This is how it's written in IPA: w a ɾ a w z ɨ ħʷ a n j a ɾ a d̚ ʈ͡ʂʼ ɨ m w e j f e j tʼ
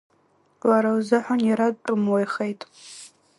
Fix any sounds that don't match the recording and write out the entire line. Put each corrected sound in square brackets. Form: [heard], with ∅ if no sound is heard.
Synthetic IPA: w a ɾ a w z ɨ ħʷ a n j a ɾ a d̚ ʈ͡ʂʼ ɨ m w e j [χ] e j tʼ